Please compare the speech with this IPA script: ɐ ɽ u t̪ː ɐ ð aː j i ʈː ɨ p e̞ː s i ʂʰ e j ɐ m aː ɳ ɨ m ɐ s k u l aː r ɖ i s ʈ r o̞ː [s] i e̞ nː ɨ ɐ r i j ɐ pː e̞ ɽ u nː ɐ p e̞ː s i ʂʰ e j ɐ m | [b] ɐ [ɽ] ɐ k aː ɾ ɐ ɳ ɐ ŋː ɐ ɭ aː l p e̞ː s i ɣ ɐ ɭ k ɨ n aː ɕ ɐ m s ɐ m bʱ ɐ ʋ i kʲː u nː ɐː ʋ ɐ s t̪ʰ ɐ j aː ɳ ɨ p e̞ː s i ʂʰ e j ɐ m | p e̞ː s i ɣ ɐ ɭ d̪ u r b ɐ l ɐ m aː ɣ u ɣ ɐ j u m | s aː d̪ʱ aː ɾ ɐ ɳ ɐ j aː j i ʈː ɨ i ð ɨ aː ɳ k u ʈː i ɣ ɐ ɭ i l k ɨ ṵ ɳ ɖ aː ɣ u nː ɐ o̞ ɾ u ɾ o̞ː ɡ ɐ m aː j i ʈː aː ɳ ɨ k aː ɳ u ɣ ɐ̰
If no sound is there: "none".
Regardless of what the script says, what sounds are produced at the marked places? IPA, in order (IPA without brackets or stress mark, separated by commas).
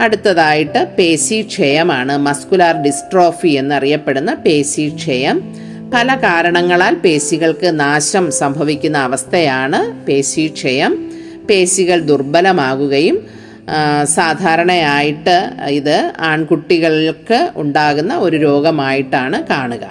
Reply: f, p, l